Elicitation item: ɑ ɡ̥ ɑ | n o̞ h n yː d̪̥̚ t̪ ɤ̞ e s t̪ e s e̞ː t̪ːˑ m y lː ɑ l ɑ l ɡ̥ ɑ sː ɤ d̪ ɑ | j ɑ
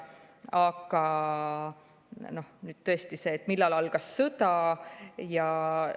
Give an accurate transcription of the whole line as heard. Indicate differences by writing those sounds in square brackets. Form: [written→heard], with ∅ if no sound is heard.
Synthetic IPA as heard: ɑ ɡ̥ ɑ | n o̞ h n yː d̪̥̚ t̪ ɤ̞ e s t̪ [e→i] s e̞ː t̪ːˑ m [y→i] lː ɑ l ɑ l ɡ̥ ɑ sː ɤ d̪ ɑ | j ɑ